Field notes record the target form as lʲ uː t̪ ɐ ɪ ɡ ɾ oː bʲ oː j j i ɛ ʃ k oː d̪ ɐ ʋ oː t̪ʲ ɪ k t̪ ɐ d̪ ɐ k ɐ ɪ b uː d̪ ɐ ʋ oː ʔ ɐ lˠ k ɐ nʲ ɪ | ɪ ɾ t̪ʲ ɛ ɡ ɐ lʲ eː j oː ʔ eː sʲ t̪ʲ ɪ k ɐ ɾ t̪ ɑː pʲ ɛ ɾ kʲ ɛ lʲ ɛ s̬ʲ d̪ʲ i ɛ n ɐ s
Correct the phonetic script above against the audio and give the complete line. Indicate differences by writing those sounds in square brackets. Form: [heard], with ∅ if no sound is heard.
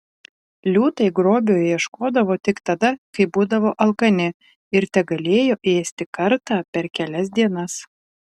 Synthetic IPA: lʲ uː t̪ ɐ ɪ ɡ ɾ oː bʲ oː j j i ɛ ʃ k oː d̪ ɐ ʋ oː t̪ʲ ɪ k t̪ ɐ d̪ ɐ k ɐ ɪ b uː d̪ ɐ ʋ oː ʔ ɐ lˠ k ɐ nʲ ɪ | ɪ ɾ t̪ʲ ɛ ɡ ɐ lʲ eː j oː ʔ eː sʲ t̪ʲ ɪ k ɐ ɾ t̪ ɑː pʲ ɛ ɾ kʲ ɛ lʲ ɛ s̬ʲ d̪ʲ i ɛ n ɐ s